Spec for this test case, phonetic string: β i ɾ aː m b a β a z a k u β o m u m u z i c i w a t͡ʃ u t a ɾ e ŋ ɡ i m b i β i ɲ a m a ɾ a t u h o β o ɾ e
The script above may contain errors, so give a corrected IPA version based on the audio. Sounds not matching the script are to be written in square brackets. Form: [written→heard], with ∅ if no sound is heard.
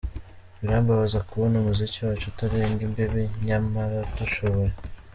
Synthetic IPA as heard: β i ɾ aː m b a β a z a k u β o [m→n] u m u z i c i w a t͡ʃ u t a ɾ e ŋ ɡ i m b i β i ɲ a m a ɾ a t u [h→ʃ] o β o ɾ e